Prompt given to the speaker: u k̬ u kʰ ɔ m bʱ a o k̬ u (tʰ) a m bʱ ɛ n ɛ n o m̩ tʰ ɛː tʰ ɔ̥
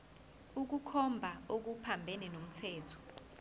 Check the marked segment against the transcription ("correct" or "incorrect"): incorrect